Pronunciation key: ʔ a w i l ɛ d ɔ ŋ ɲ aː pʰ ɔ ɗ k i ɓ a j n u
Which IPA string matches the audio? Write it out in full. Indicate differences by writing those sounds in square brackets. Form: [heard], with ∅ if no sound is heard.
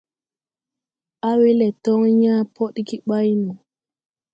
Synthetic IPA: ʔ a w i l ɛ [t] ɔ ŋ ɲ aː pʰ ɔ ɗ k i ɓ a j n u